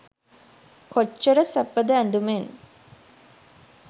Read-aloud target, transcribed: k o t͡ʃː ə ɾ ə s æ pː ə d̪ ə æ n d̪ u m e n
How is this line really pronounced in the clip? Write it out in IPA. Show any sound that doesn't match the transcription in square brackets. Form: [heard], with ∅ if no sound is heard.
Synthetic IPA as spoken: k o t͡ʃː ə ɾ ə s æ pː ə d̪ ə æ n d̪ u m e n